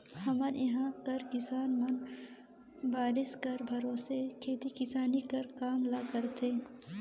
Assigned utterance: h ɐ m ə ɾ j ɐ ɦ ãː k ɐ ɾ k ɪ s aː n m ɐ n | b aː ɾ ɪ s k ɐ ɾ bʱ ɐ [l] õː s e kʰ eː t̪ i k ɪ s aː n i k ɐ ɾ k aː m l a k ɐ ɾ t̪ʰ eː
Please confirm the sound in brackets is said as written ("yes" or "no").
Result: no